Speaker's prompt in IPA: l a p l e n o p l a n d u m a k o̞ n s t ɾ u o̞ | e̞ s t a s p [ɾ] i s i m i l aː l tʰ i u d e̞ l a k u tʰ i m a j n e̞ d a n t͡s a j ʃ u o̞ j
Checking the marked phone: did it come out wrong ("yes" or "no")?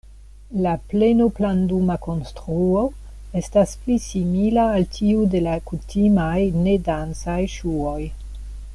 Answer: yes